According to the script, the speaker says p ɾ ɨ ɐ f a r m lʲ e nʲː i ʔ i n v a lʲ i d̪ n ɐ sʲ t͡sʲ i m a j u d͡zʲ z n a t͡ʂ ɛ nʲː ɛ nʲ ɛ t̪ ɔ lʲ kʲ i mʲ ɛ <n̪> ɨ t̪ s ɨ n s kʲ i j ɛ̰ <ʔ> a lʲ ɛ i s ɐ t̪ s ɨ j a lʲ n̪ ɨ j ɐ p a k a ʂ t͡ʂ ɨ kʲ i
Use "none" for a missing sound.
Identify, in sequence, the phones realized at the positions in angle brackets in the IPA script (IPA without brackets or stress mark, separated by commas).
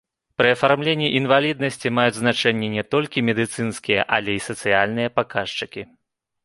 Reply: d̪, ʔ